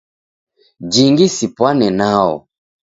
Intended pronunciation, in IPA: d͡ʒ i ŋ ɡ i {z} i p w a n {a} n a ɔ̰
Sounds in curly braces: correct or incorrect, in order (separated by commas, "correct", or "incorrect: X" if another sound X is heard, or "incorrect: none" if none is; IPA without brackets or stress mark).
incorrect: s, incorrect: ɛ